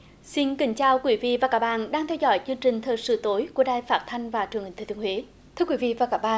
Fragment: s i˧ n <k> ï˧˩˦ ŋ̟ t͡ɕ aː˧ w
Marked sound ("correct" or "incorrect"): correct